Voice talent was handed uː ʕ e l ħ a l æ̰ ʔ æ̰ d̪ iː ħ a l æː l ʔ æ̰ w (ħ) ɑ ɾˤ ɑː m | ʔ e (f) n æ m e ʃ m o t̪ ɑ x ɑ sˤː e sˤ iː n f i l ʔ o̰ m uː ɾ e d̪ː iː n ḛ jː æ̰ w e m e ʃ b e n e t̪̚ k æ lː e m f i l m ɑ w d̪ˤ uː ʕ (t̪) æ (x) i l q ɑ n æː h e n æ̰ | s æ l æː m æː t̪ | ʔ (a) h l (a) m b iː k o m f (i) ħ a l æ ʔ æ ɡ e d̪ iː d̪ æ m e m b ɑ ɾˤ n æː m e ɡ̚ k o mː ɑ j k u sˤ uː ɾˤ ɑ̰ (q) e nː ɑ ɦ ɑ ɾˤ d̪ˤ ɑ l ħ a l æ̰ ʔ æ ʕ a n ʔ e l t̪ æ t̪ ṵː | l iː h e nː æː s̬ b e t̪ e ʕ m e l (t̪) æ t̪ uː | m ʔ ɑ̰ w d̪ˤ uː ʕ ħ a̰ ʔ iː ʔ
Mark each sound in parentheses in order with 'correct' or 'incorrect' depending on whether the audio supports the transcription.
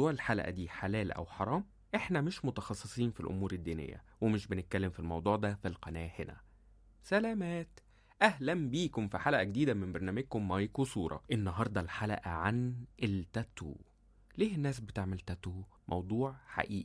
correct, incorrect: ħ, incorrect: d̪, incorrect: f, incorrect: æ, incorrect: æ, correct, incorrect: ʔ, correct

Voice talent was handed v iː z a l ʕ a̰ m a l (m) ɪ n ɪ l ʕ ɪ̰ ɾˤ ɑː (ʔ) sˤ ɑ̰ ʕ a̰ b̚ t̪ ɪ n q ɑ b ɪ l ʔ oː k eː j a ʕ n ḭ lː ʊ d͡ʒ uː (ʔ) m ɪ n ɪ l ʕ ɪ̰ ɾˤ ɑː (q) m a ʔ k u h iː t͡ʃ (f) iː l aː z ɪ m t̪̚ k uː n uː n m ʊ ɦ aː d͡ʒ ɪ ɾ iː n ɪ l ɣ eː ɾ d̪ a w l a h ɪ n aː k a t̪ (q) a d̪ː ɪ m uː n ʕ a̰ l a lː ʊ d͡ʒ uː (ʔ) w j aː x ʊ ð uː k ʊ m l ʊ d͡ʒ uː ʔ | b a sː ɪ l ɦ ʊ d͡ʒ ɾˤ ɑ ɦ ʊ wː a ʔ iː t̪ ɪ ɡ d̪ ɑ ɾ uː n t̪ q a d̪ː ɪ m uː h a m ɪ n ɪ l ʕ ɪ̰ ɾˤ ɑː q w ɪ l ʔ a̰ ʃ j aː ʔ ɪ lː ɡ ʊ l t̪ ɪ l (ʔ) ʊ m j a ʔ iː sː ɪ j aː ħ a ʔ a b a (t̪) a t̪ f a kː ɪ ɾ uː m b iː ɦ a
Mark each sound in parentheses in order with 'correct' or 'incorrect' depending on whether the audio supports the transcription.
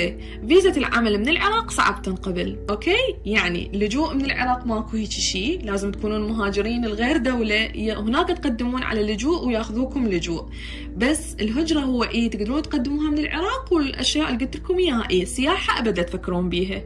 correct, incorrect: q, correct, correct, incorrect: ʃ, correct, correct, incorrect: k, incorrect: d̪

